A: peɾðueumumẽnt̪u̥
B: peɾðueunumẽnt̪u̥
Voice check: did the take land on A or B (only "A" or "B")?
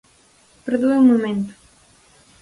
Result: A